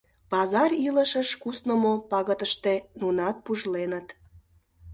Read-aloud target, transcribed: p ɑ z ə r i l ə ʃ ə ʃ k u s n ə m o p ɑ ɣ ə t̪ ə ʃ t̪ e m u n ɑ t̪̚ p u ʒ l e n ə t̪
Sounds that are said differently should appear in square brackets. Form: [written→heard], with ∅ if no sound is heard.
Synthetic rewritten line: p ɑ z [ə→ɑ] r i l ə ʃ ə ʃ k u s n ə m o p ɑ ɣ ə t̪ ə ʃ t̪ e [m→n] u n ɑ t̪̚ p u ʒ l e n ə t̪